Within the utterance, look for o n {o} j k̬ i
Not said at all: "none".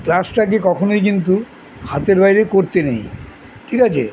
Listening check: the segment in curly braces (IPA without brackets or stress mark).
o